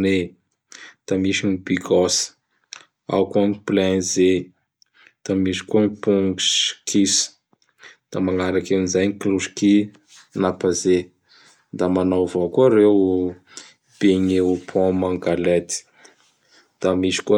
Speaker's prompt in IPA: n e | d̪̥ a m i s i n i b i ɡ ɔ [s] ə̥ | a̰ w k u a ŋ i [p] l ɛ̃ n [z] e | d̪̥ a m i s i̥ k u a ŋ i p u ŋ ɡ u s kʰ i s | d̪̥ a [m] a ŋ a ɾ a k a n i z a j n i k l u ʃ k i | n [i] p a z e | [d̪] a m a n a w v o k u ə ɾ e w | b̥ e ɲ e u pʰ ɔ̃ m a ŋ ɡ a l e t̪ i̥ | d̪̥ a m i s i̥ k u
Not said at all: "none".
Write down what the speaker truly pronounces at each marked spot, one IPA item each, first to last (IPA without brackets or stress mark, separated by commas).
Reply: s, p, z, m, a, d̪